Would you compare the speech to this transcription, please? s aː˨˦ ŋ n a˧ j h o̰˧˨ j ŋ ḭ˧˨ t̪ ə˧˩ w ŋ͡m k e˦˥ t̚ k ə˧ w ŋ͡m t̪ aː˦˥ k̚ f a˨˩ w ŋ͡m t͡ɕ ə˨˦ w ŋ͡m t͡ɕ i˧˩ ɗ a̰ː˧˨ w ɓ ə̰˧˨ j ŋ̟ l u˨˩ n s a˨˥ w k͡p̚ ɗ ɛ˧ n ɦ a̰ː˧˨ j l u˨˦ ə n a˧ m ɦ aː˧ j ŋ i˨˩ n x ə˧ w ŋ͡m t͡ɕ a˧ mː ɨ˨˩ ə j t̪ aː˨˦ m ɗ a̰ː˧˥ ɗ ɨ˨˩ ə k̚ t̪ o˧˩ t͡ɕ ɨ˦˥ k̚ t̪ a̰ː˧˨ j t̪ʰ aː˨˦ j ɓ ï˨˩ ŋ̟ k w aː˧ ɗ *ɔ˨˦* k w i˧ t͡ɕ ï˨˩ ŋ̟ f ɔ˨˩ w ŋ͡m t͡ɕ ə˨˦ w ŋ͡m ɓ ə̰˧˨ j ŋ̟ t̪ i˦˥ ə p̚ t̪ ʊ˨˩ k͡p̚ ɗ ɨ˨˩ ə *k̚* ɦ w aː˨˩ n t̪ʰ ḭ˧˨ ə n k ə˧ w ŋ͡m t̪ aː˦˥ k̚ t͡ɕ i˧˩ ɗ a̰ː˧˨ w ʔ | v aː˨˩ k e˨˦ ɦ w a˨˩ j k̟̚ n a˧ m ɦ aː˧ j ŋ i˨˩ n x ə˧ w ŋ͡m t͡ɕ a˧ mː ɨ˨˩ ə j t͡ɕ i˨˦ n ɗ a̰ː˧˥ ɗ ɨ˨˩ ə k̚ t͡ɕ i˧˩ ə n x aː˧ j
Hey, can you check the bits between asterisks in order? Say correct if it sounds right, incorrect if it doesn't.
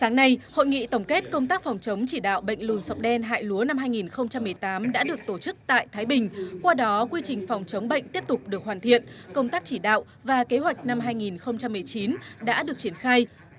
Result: correct, correct

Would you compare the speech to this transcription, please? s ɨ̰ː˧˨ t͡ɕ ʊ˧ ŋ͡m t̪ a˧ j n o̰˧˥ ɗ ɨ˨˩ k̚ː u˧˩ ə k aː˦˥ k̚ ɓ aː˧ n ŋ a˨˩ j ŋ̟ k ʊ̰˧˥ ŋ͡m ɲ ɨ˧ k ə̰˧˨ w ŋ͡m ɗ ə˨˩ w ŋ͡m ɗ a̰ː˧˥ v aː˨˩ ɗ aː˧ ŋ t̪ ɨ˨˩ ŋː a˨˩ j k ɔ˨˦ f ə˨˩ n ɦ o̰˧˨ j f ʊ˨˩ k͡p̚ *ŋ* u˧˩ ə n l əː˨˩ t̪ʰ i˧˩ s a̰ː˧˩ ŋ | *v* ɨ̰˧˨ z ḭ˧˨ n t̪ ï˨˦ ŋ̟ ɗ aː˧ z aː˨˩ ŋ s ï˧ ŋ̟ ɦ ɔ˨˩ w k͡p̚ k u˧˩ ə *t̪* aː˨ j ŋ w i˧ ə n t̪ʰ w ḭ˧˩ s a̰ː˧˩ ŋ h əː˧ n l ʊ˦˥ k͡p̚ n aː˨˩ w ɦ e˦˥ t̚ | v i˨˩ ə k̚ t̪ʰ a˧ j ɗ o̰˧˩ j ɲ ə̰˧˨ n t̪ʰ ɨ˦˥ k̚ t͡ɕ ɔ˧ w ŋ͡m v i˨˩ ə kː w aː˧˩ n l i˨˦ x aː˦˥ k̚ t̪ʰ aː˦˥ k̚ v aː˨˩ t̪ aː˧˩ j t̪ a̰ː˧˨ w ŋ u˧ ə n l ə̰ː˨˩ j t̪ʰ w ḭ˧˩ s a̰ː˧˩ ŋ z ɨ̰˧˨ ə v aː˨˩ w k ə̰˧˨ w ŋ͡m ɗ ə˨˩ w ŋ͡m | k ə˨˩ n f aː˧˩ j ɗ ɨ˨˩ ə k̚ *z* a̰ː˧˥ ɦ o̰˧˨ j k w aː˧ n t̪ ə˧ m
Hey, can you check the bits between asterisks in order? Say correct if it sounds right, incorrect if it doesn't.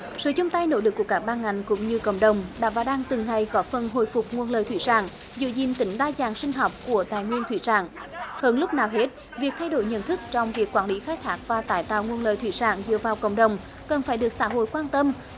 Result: correct, incorrect: z, correct, incorrect: s

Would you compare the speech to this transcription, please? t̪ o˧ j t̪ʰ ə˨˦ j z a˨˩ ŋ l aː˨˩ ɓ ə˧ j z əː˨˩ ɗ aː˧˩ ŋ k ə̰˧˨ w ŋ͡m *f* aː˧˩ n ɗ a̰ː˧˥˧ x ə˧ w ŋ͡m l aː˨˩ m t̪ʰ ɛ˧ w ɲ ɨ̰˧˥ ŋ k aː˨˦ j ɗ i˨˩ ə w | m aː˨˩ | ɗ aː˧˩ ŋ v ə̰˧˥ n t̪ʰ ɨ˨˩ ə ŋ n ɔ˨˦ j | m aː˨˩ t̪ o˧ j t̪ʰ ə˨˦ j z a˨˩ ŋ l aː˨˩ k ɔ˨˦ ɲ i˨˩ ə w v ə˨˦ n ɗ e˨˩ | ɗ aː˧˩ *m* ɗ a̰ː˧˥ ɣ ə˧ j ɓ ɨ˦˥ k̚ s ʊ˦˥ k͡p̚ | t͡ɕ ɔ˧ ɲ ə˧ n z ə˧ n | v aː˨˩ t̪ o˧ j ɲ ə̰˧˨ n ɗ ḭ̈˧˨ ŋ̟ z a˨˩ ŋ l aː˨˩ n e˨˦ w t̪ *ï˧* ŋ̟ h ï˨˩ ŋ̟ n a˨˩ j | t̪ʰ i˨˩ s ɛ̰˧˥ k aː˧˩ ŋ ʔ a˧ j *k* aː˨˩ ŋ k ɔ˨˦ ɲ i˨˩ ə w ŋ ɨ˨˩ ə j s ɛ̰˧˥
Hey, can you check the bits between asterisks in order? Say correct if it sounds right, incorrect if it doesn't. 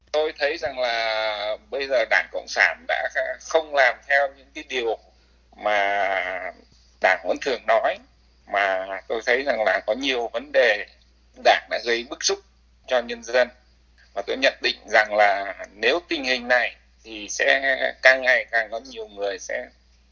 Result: incorrect: s, incorrect: ŋ, correct, correct

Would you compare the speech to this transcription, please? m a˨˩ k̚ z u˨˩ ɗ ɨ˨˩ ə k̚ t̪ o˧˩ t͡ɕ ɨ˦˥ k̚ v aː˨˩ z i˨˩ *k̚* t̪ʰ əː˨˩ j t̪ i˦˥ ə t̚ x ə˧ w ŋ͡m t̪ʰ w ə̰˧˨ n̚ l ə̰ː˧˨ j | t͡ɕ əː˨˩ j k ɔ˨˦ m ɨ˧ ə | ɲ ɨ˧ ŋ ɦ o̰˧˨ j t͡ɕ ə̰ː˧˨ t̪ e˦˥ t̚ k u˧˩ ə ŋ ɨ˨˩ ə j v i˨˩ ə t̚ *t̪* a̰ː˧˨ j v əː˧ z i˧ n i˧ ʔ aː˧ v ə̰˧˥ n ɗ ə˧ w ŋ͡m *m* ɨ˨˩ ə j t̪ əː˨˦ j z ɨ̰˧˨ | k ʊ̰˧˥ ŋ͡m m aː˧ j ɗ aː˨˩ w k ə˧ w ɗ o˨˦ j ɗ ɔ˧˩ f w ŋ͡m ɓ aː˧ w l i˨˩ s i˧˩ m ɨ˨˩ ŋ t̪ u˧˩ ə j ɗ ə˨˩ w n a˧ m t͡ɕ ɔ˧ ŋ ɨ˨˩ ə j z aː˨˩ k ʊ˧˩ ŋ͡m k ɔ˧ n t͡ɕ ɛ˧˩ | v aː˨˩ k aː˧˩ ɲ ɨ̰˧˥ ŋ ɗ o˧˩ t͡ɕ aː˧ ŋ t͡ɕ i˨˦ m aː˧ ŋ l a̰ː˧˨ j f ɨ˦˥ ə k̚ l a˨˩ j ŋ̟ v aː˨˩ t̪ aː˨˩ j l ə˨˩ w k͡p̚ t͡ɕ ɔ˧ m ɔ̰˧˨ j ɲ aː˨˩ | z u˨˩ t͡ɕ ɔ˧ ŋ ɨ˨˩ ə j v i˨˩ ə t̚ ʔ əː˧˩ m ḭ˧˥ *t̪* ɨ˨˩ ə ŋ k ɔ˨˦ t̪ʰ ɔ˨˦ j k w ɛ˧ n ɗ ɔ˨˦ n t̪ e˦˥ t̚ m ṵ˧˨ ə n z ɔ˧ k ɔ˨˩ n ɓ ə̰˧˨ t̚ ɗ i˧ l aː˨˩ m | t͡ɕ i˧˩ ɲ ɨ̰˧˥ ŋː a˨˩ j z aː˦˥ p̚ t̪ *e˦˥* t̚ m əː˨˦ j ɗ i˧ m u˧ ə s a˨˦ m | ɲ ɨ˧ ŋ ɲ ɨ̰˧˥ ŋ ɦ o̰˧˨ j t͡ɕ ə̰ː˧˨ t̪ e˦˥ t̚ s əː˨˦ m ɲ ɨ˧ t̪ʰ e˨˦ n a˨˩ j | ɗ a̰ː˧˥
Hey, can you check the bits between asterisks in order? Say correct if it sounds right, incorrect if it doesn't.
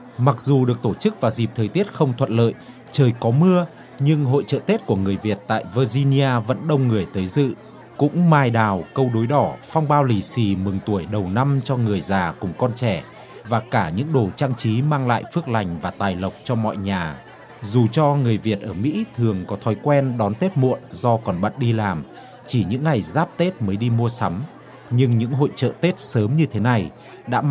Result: incorrect: p̚, correct, incorrect: ŋ, incorrect: t̪ʰ, correct

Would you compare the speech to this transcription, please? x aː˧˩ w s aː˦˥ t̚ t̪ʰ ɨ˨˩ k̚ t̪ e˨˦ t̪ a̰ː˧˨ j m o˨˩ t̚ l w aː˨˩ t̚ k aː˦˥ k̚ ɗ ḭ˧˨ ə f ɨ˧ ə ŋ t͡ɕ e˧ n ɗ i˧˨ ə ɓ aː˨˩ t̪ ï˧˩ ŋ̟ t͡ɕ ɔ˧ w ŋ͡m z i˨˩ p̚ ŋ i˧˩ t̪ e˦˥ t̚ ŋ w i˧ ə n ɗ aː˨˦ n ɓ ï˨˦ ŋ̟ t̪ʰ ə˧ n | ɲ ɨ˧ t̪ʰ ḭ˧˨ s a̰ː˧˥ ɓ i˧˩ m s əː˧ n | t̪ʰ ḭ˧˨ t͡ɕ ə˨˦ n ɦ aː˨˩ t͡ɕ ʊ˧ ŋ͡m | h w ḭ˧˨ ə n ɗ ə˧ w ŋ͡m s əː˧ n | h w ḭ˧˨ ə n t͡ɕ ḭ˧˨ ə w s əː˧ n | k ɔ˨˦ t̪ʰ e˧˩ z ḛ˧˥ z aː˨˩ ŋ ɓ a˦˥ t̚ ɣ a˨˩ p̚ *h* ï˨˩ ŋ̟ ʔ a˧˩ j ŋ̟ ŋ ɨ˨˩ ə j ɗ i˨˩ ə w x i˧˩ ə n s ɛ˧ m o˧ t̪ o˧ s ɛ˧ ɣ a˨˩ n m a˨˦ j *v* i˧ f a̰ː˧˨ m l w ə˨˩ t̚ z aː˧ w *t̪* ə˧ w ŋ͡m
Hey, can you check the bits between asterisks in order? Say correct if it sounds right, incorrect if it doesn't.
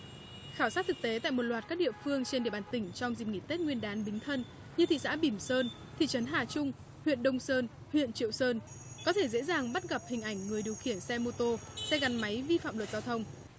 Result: correct, correct, incorrect: t̪ʰ

